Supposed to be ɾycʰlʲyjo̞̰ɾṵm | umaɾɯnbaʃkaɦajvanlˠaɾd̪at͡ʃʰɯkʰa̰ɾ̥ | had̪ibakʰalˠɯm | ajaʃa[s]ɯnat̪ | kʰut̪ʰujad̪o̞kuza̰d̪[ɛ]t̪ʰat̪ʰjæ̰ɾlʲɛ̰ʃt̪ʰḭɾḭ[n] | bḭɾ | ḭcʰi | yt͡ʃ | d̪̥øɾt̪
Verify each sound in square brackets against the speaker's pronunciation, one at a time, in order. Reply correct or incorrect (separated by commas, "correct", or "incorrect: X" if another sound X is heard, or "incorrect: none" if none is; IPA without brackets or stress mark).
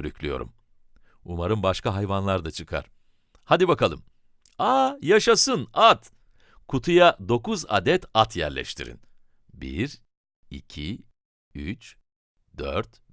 correct, correct, correct